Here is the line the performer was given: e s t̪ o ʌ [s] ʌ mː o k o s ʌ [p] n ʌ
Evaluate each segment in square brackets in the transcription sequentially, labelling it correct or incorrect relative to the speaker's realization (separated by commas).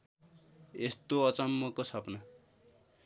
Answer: incorrect, correct